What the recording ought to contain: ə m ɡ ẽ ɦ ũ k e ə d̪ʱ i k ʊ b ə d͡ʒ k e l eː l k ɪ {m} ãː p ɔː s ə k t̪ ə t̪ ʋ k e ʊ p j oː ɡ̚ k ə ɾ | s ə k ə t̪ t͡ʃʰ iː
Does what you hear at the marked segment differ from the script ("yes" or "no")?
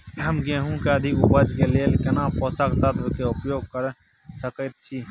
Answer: yes